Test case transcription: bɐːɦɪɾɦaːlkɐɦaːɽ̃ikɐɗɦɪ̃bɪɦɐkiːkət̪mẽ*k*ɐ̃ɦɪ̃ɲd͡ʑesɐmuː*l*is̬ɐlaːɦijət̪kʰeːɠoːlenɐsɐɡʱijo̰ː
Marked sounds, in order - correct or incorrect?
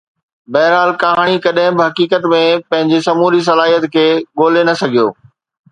incorrect: p, incorrect: ɾ

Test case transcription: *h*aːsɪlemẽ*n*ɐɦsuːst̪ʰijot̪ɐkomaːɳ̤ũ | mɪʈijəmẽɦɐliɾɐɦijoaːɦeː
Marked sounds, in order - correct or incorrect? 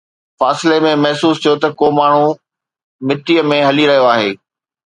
incorrect: f, incorrect: m

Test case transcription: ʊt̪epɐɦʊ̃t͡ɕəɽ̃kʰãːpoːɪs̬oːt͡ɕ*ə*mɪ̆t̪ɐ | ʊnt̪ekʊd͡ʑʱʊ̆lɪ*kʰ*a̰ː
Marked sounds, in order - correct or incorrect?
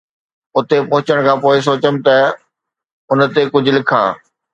correct, correct

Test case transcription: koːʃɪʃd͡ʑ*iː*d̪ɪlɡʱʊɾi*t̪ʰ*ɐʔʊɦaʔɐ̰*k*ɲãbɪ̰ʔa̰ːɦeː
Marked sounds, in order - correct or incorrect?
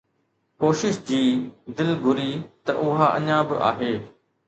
correct, incorrect: t̪, incorrect: none

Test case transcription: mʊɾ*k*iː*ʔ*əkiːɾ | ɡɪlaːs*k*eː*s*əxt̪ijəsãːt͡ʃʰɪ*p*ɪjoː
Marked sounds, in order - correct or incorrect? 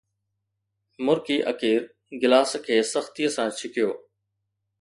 correct, correct, incorrect: kʰ, correct, incorrect: k

